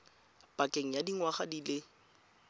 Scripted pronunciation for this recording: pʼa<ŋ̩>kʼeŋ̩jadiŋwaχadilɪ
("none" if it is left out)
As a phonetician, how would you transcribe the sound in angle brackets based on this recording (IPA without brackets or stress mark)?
none